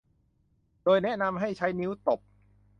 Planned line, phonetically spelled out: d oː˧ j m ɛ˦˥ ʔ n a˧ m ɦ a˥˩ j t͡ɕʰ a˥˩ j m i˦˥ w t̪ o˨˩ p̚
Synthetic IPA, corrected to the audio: d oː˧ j n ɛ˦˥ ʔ n a˧ m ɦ a˥˩ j t͡ɕʰ a˦˥ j n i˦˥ w t̪ o˨˩ p̚